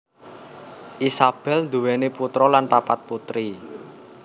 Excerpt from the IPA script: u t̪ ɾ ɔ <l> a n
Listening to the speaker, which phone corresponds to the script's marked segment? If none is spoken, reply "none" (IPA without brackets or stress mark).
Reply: l